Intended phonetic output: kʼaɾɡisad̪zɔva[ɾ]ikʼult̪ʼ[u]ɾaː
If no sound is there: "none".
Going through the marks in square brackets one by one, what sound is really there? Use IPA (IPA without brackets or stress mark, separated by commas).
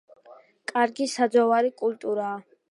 ɾ, u